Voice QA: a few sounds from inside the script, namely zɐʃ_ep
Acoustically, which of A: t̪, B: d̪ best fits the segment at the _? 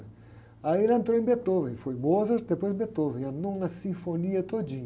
B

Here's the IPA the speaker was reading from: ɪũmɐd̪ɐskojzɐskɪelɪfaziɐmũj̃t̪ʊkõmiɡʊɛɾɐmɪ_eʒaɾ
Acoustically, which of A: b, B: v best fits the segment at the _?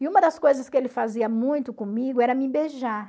A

